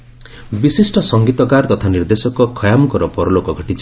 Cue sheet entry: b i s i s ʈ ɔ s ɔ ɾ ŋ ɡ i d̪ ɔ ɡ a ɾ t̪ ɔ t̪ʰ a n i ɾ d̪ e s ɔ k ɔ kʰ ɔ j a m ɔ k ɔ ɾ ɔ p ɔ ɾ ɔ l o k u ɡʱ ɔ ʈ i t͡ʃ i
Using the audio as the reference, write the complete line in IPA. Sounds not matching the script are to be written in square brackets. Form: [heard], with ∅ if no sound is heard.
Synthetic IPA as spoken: b i s i s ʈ ɔ s ɔ [∅] ŋ ɡ i [t̪] ɔ ɡ a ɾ t̪ ɔ t̪ʰ a n i ɾ d̪ e s ɔ k ɔ kʰ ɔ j a m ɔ k ɔ ɾ ɔ p ɔ ɾ ɔ l o k [ɔ] ɡʱ ɔ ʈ i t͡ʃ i

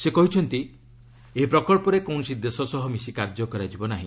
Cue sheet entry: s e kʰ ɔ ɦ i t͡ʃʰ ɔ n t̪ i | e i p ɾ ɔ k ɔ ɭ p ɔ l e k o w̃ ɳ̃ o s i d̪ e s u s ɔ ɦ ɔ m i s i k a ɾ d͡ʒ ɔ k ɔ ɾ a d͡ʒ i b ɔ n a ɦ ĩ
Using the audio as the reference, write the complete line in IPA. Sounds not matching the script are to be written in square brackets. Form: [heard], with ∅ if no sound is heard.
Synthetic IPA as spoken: s e [k] ɔ ɦ i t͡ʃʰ ɔ n t̪ i | e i p ɾ ɔ k ɔ ɭ p ɔ [ɾ] e k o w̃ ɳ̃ [ɔ] s i d̪ e s [ɔ] s ɔ ɦ ɔ m i s i k a ɾ d͡ʒ ɔ k ɔ ɾ a d͡ʒ i b ɔ n a ɦ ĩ

